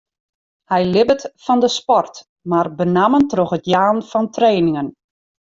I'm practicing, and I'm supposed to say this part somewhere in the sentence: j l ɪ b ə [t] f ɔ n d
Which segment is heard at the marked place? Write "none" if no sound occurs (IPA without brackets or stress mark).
t